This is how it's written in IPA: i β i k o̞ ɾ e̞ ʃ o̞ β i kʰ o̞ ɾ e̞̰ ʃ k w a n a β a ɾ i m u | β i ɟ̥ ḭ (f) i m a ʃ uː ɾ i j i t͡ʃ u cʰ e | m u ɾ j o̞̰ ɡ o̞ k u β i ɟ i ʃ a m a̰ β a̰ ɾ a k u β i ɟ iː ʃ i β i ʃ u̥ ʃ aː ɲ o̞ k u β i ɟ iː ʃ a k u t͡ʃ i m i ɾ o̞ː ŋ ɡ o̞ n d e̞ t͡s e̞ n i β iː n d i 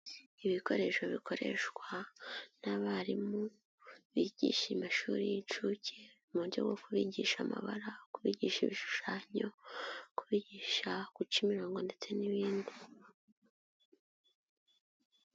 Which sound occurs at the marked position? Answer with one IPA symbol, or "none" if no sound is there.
ʃ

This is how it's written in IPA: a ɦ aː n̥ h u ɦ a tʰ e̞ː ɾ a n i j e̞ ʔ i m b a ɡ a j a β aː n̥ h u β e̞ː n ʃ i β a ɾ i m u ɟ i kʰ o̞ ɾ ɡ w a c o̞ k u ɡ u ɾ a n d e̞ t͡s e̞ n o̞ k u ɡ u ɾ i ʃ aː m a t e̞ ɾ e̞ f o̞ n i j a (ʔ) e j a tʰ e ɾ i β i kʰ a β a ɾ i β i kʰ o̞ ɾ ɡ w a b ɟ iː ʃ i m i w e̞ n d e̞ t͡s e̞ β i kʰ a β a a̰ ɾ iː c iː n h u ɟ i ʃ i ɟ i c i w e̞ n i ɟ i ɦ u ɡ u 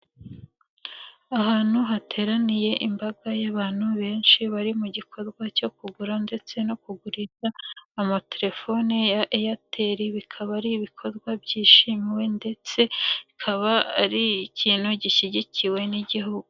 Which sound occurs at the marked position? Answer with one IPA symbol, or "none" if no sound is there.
ʔ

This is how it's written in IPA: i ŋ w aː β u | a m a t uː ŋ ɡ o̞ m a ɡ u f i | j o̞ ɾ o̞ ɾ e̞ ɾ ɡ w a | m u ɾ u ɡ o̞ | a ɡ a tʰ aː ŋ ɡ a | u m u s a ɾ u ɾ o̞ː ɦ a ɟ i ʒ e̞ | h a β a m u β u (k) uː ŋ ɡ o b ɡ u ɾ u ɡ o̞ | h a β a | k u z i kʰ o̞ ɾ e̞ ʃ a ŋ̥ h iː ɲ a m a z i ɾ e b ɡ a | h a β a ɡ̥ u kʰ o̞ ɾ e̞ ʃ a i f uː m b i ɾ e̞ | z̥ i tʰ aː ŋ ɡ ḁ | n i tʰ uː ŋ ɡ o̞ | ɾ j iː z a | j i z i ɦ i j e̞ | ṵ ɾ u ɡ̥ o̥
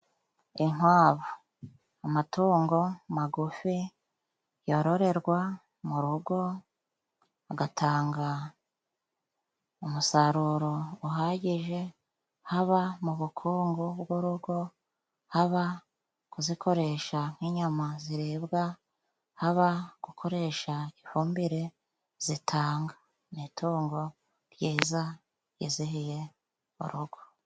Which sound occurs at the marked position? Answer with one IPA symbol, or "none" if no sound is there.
kʰ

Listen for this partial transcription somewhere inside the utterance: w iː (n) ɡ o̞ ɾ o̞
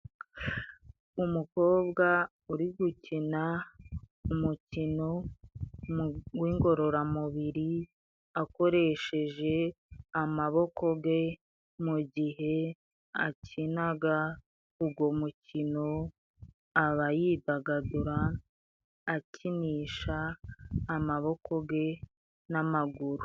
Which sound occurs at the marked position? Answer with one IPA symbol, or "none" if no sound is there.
ŋ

